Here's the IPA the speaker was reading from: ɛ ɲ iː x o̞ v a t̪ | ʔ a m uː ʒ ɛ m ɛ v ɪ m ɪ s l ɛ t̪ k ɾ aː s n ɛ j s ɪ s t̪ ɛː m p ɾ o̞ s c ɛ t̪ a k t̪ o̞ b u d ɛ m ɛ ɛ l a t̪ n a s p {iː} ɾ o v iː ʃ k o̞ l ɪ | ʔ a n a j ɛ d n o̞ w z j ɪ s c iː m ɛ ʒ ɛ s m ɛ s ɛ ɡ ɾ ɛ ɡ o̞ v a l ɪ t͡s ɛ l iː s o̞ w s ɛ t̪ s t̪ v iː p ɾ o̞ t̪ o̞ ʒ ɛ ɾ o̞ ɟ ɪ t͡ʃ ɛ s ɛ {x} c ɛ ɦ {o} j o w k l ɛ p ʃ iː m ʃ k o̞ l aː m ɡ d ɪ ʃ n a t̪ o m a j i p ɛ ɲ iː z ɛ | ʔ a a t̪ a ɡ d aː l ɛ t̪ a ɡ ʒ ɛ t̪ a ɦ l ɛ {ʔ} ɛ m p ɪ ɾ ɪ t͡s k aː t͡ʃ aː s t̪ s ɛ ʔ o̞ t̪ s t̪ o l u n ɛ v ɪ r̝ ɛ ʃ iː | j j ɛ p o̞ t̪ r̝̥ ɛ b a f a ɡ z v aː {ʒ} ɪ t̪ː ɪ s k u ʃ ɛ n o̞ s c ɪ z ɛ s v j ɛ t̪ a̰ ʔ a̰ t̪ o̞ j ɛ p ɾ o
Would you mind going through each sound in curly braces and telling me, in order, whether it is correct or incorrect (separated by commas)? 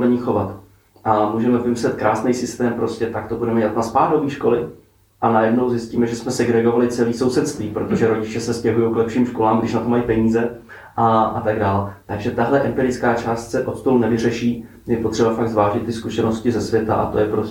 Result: incorrect, incorrect, incorrect, correct, correct